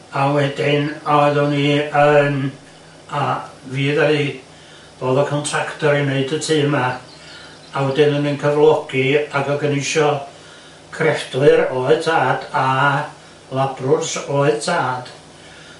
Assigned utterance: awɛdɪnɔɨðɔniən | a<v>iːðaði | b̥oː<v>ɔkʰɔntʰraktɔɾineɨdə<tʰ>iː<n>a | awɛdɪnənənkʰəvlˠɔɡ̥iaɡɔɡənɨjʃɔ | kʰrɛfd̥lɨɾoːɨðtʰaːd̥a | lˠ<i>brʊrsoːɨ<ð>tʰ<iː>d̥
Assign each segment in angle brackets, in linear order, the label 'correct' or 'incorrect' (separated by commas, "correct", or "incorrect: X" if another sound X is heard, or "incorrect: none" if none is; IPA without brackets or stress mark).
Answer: correct, incorrect: ð, correct, incorrect: m, incorrect: a, correct, incorrect: aː